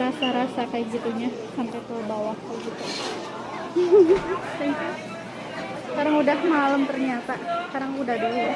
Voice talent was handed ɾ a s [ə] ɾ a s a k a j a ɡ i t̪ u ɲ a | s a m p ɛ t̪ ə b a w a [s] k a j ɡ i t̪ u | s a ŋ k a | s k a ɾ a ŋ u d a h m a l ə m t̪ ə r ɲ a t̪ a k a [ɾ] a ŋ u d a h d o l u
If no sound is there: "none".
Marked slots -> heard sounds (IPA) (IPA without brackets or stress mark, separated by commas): a, h, ɾ